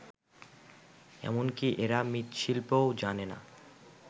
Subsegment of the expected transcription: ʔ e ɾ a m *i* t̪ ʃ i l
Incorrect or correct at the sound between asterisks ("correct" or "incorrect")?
correct